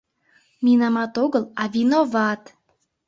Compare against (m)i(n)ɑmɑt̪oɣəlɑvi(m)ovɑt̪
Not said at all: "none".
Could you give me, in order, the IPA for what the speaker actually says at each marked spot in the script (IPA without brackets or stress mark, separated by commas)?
m, n, n